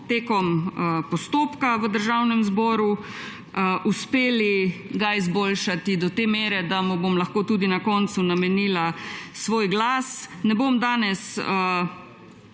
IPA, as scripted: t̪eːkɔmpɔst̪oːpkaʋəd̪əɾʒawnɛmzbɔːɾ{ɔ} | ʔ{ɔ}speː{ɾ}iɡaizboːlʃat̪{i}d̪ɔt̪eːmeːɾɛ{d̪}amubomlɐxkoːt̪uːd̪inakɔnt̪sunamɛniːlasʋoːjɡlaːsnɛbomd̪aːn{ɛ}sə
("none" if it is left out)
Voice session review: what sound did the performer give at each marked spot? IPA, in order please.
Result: u, u, l, i, d̪, ɛ

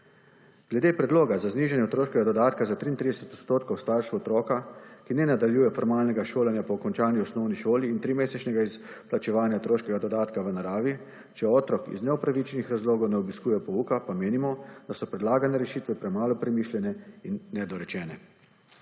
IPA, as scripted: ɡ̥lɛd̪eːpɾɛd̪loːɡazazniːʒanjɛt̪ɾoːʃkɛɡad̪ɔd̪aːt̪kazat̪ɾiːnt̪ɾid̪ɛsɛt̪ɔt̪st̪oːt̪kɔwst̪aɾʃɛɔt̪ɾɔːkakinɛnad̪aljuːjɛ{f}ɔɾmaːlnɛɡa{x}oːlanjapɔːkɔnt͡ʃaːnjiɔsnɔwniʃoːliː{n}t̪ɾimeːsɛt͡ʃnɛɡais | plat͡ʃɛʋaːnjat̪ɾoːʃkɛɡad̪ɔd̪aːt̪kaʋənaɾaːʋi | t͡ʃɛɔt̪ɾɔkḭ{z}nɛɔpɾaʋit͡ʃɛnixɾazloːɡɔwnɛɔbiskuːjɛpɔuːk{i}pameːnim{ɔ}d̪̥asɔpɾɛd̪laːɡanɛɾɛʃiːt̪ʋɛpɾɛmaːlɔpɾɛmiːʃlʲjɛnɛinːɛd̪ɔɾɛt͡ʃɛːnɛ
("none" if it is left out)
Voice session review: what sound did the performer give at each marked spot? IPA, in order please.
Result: f, ʃ, n, z, a, ɔ

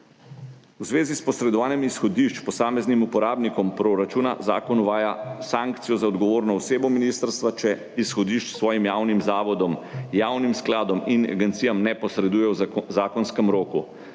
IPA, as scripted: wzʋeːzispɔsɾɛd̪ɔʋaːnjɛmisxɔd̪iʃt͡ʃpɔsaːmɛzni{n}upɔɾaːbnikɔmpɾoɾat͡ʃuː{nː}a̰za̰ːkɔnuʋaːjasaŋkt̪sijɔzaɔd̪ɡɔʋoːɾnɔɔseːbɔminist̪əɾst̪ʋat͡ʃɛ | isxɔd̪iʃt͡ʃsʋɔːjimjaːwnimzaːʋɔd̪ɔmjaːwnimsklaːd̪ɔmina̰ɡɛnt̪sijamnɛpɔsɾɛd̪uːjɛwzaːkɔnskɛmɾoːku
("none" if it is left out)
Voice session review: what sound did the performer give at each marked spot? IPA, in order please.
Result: m, n

